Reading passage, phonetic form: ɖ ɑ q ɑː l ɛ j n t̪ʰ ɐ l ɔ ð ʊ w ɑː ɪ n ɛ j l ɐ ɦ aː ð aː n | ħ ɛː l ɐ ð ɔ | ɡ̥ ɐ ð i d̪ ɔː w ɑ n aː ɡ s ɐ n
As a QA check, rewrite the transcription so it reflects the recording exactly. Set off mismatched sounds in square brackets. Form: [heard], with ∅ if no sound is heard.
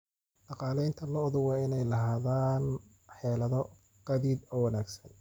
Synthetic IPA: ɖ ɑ q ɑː l ɛ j n t̪ʰ ɐ l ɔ ð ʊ w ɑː ɪ n ɛ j l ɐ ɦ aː ð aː n | ħ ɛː l ɐ ð ɔ | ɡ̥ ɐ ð i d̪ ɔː w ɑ n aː ɡ s ɐ n